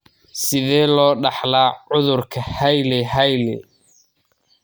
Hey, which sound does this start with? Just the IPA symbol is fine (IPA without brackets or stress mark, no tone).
s